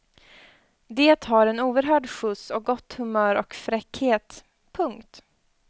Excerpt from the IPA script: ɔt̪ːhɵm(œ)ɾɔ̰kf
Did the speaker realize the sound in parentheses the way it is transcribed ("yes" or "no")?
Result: no